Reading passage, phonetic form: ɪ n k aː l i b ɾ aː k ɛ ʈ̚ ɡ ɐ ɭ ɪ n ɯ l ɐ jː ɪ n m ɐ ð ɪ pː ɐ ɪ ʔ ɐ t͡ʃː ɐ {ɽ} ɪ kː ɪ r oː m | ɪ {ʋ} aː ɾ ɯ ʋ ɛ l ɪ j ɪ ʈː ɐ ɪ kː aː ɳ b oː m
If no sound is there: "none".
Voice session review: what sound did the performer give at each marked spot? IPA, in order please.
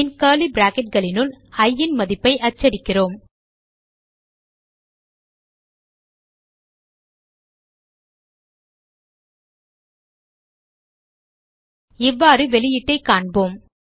ɽ, ʋː

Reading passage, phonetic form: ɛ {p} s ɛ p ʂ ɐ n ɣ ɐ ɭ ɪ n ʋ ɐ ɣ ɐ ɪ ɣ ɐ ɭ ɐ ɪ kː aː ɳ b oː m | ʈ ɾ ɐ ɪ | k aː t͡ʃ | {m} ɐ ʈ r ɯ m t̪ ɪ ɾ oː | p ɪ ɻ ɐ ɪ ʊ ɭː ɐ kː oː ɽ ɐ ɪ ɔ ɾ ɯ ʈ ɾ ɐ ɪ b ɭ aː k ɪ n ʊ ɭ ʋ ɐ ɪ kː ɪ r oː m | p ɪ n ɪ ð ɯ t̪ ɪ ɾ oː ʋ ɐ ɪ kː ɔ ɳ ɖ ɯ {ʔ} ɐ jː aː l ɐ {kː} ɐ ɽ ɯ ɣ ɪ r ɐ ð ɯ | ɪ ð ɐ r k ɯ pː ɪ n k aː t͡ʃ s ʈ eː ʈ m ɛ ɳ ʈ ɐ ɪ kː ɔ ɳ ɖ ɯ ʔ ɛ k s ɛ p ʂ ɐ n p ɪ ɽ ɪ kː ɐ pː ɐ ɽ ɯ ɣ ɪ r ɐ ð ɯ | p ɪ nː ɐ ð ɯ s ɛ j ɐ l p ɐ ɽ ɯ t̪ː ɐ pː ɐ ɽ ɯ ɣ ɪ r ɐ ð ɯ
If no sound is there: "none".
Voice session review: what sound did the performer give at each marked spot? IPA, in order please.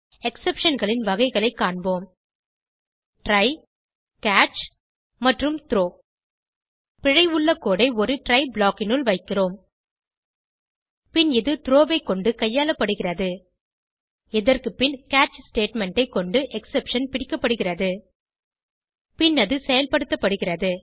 k, m, k, pː

